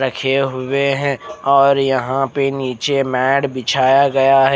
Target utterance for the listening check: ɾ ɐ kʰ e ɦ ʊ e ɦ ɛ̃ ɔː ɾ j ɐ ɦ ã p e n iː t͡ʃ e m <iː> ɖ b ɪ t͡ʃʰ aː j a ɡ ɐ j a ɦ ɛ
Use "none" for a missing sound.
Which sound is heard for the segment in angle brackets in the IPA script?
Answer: ɛː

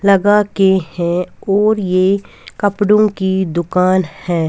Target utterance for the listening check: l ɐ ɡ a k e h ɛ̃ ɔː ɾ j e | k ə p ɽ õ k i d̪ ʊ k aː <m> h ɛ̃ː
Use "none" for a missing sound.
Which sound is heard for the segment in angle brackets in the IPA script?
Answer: n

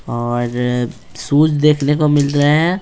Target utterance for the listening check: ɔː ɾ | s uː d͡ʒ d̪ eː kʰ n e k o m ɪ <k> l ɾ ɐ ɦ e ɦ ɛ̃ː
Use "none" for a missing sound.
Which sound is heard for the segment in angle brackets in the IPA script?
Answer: none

